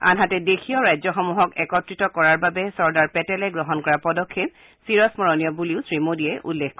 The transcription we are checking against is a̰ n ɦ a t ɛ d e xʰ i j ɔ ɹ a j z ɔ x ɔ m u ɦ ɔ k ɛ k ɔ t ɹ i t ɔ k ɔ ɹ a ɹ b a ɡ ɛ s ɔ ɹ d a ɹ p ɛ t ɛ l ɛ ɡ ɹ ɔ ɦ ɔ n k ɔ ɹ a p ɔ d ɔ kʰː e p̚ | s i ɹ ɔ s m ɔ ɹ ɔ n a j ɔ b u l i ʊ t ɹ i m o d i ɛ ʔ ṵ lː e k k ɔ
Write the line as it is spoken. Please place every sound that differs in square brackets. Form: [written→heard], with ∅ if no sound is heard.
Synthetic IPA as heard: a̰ n ɦ a t ɛ d e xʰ i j ɔ ɹ a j z ɔ x ɔ m u ɦ ɔ k ɛ k ɔ t ɹ i t ɔ k ɔ ɹ a ɹ b a [ɡ→b] ɛ s ɔ ɹ d a ɹ p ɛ t ɛ l ɛ ɡ ɹ ɔ ɦ ɔ n k ɔ ɹ a p ɔ d ɔ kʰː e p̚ | s i ɹ ɔ s m ɔ ɹ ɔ n [a→i] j ɔ b u l i ʊ [t→s] ɹ i m o d i ɛ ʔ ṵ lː e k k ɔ